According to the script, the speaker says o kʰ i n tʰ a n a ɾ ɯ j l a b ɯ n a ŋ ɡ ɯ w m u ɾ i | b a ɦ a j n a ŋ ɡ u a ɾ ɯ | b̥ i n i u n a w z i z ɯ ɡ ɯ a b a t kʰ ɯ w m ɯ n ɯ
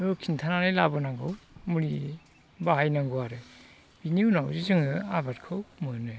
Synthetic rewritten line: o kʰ i n tʰ a n a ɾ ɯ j l a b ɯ n a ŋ ɡ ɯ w m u ɾ i | b a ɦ a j n a ŋ ɡ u a ɾ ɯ | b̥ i n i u n a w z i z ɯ ŋ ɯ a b a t kʰ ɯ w m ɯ n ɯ